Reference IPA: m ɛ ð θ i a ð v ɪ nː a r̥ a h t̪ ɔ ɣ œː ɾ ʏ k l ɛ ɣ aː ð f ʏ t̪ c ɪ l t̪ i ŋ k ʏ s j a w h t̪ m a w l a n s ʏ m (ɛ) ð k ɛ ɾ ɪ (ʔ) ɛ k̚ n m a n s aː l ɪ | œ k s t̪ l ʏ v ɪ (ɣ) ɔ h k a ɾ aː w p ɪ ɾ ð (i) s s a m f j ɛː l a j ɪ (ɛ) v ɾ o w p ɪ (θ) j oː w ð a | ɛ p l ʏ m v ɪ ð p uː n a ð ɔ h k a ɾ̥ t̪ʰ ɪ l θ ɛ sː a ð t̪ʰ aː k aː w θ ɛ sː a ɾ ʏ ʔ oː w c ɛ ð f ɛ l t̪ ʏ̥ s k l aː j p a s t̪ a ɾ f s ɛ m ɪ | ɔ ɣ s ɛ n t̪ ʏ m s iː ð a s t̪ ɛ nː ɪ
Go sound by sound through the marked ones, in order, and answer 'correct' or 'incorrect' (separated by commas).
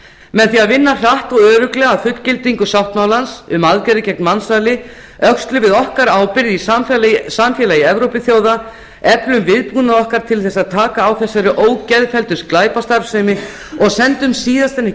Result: incorrect, incorrect, incorrect, correct, correct, correct